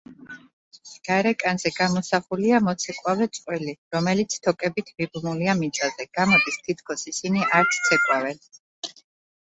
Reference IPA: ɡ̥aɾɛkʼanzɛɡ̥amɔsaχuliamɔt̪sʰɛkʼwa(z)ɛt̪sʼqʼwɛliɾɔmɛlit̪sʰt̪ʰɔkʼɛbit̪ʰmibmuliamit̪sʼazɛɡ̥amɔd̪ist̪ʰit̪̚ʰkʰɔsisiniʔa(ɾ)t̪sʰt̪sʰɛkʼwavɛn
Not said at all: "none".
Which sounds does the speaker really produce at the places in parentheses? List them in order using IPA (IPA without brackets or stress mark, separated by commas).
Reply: v, ɾ